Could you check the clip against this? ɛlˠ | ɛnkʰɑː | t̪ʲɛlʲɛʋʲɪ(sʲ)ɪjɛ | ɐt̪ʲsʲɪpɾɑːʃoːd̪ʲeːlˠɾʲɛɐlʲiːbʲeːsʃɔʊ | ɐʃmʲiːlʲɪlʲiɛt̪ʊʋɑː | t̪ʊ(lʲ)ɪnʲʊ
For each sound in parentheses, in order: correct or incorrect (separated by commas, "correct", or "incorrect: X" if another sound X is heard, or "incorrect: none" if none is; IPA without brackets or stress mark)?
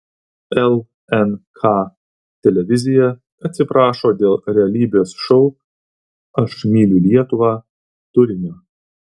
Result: incorrect: zʲ, incorrect: ɾʲ